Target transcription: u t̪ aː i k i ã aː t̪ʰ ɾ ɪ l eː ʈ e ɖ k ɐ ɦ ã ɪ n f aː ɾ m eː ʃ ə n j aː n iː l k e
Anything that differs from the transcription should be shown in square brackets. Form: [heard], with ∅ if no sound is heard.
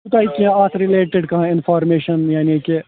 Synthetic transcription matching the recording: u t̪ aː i k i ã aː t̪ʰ ɾ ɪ l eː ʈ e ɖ k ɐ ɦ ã ɪ n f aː ɾ m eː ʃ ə n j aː n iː [∅] k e